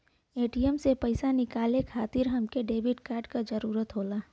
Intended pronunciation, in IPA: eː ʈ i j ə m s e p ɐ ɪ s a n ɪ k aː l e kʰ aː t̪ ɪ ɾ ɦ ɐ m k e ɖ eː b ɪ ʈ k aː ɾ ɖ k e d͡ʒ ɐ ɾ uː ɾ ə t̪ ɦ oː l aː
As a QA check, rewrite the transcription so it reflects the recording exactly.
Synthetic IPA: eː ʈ i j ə m s e p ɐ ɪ s a n ɪ k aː l e kʰ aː t̪ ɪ ɾ ɦ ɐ m k e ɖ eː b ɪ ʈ k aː ɾ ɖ k a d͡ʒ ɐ ɾ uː ɾ ə t̪ ɦ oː l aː